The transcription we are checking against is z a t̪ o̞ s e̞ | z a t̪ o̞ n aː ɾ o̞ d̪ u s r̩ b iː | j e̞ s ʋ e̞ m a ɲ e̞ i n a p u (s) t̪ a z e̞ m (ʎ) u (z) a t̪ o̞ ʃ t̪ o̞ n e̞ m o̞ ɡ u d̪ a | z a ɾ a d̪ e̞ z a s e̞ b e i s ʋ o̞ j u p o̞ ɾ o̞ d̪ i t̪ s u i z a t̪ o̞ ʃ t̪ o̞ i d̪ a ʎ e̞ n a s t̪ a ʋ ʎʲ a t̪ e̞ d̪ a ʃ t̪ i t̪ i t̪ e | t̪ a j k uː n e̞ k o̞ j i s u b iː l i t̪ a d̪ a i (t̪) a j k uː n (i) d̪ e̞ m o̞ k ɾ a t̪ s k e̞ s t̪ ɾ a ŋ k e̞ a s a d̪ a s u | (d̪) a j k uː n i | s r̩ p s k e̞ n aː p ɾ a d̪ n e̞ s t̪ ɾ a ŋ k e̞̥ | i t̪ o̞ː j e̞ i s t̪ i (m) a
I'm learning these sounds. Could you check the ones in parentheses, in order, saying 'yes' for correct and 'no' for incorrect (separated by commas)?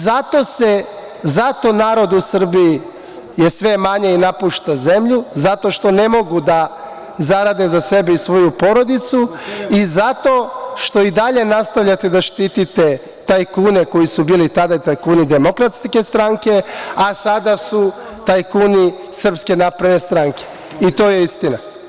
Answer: no, yes, yes, yes, yes, no, no